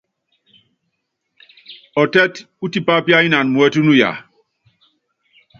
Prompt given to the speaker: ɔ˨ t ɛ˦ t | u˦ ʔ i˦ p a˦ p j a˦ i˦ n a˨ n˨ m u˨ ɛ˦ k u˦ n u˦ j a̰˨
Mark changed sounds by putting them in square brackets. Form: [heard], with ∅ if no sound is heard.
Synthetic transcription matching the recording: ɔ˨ t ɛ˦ t | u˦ [t] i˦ p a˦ p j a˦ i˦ n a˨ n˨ m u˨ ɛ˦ [t] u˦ n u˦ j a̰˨

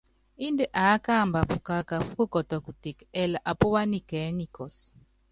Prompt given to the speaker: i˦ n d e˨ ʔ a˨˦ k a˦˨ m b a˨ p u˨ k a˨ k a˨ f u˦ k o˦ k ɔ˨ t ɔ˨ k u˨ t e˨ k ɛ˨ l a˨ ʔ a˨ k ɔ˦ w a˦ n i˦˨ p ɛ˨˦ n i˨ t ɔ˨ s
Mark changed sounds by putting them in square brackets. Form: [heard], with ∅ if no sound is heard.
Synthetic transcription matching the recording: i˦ n d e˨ ʔ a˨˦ k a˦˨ m b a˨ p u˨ k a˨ k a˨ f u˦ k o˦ k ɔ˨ t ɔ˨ k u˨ t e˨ k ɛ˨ l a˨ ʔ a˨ [p] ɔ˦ w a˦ n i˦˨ [k] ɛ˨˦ n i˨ [k] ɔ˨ s

